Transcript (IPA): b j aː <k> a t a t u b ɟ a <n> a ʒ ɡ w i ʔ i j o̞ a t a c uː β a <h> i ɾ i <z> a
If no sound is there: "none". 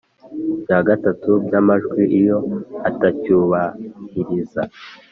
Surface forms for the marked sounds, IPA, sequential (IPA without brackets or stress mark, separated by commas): ɡ, m, h, z